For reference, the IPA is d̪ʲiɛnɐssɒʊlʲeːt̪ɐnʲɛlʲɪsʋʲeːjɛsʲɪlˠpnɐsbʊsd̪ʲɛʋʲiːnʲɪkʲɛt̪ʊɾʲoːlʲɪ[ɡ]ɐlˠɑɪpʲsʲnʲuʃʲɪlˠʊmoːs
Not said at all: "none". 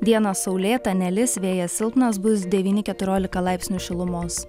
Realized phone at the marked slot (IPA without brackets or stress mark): k